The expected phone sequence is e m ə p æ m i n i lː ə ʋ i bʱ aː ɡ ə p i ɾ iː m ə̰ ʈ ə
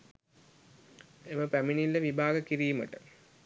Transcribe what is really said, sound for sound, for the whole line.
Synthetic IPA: e m ə p æ m i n i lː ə ʋ i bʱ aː ɡ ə k i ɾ iː m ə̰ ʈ ə